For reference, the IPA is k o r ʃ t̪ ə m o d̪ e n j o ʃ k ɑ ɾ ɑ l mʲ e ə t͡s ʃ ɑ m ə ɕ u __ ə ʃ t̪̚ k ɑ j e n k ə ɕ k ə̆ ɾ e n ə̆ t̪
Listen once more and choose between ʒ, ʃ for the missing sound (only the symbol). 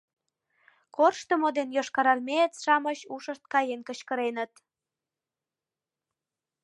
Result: ʃ